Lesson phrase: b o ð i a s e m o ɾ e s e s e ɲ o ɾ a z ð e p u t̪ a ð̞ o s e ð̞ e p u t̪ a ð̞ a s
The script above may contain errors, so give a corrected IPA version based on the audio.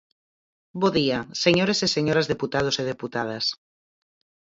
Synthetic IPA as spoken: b o ð i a s e ɲ o ɾ e s e s e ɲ o ɾ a z ð e p u t̪ a ð̞ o s e ð̞ e p u t̪ a ð̞ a s